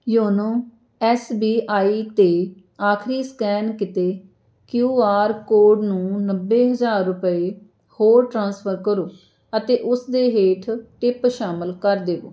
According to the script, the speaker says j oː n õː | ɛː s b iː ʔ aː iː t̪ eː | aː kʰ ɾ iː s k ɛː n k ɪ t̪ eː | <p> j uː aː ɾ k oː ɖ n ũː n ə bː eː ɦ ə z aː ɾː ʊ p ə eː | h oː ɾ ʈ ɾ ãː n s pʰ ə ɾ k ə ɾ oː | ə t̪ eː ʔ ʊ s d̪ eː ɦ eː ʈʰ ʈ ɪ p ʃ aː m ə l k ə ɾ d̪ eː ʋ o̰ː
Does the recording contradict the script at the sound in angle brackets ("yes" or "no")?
yes